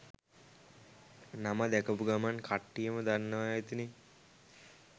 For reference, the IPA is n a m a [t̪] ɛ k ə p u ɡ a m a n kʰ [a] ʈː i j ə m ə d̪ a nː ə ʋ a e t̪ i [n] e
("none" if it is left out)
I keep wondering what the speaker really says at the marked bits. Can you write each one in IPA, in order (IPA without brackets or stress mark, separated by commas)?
d̪, a, n